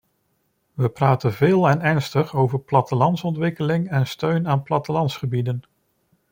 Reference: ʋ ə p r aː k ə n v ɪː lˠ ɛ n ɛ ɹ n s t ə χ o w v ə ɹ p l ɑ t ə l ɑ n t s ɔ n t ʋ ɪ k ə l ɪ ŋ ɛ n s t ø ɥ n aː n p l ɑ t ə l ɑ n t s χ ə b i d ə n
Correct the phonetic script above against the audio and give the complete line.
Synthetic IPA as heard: ʋ ə p r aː t ə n v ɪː lˠ ɛ n ɛ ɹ n s t ə χ o w v ə ɹ p l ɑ t ə l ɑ n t s ɔ n t ʋ ɪ k ə l ɪ ŋ ɛ n s t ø ɥ n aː n p l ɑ t ə l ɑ n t s χ ə b i d ə n